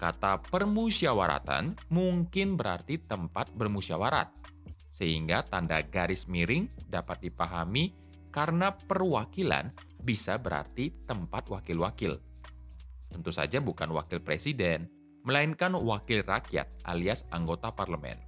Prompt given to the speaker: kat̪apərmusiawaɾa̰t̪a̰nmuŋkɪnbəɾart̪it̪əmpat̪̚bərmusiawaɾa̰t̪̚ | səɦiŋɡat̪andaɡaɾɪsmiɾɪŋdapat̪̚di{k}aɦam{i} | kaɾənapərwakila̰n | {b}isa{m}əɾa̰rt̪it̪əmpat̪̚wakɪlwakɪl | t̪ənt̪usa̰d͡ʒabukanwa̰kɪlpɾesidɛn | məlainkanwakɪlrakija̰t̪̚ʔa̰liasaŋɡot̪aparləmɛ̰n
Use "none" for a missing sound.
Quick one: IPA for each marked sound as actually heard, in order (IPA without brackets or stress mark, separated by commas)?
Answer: p, i, b, b